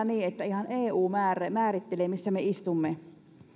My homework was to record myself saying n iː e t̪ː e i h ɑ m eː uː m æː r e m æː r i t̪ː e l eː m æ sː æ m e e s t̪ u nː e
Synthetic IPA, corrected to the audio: n iː e t̪ː æ i h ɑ n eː uː m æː r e m æː r i t̪ː e l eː m i sː æ m e i s t̪ u mː e